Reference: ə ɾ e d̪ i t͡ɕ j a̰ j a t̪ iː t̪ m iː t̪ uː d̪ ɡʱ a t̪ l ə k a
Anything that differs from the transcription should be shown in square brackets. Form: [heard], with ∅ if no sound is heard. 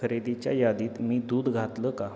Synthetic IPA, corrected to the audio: ə ɾ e d̪ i t͡ɕ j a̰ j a [d̪] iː t̪ m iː [d̪] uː d̪ ɡʱ a t̪ l ə k a